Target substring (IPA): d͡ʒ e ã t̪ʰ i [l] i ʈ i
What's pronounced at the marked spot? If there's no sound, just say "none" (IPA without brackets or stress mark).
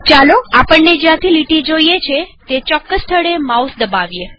l